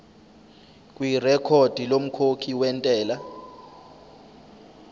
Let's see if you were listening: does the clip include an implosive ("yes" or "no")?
no